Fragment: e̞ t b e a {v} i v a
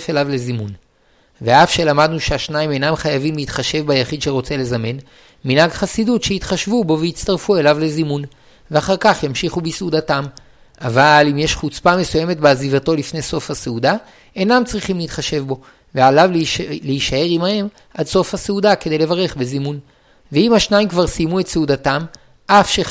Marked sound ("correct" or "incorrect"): incorrect